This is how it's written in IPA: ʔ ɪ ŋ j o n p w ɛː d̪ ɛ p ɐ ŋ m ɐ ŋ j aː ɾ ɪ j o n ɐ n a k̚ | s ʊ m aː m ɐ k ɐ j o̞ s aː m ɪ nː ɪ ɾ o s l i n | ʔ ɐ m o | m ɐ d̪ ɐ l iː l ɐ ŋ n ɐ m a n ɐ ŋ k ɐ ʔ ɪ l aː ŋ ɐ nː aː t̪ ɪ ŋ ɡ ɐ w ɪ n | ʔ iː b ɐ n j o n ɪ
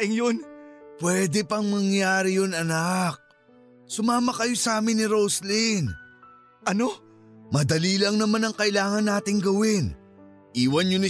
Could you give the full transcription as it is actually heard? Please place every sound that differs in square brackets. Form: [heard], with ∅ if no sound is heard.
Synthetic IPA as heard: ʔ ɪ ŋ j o n p w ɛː d̪ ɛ p ɐ ŋ m ɐ ŋ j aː ɾ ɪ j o n ɐ n a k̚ | s ʊ m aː m ɐ k ɐ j o̞ s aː m ɪ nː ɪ ɾ o s l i n | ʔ ɐ [n] o | m ɐ d̪ ɐ l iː l ɐ ŋ n ɐ m a n ɐ ŋ k ɐ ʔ ɪ l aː ŋ ɐ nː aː t̪ ɪ ŋ ɡ ɐ w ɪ n | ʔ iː [w] ɐ n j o n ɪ